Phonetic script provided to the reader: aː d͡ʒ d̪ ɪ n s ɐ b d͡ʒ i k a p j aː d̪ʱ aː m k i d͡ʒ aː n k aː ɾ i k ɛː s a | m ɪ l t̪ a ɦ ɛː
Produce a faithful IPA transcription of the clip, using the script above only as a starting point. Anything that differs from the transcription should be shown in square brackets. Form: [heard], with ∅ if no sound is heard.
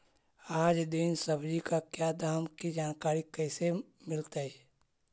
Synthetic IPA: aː d͡ʒ d̪ ɪ n s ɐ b d͡ʒ i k a [k] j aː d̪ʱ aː m k i d͡ʒ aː n k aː ɾ i k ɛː s [e] | m ɪ l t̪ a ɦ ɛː